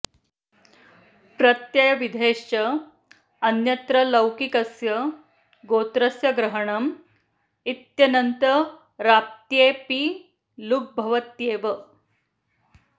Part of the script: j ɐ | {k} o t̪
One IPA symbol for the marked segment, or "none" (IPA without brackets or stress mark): ɡ